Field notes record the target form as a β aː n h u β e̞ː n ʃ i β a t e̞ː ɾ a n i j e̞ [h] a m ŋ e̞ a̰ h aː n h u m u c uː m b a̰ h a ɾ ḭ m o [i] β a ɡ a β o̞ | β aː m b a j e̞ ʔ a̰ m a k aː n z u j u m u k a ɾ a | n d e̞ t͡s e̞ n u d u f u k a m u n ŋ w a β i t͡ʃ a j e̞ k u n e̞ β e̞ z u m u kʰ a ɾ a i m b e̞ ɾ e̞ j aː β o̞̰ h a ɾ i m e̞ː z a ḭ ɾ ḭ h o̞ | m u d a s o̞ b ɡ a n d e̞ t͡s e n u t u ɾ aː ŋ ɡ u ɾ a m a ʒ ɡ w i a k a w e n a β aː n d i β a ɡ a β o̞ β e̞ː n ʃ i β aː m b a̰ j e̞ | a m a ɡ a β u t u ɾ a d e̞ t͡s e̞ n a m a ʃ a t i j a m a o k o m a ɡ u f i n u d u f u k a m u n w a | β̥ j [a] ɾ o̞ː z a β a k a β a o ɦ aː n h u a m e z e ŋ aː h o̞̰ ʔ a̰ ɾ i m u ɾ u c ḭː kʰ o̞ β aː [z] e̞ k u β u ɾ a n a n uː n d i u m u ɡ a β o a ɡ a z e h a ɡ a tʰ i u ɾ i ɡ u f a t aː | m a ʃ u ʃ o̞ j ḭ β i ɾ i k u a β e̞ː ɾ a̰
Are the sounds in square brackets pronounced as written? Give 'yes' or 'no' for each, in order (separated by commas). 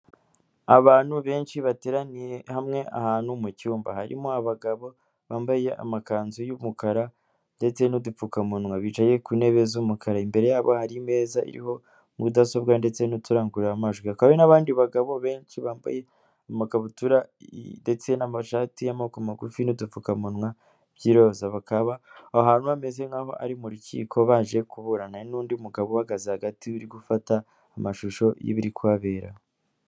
yes, no, no, no